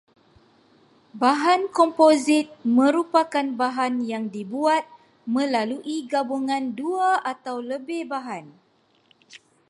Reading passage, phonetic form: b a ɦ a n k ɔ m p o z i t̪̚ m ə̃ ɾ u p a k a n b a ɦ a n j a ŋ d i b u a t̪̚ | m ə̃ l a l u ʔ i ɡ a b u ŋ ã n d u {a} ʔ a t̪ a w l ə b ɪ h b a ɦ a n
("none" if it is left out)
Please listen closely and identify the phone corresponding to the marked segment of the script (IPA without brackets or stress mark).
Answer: a